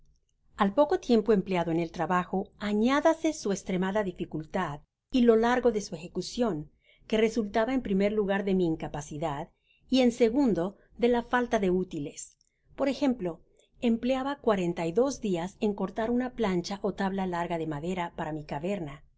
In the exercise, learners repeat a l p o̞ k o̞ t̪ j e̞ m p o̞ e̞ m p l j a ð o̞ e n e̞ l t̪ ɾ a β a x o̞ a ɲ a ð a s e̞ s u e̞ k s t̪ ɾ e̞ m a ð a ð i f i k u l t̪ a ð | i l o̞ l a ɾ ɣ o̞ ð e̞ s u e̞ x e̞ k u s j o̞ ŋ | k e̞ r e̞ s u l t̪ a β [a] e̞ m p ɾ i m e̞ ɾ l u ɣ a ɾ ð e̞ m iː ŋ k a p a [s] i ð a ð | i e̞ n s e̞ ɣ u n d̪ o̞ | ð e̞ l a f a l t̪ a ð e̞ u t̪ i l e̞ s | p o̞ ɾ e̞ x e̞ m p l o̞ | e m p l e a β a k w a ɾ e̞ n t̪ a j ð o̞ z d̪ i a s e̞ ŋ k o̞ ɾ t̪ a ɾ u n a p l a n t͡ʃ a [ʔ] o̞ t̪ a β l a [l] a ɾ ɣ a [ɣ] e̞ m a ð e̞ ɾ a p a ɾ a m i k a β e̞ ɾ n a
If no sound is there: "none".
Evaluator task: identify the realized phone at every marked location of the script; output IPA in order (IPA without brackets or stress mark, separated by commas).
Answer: a, s, ʔ, l, ð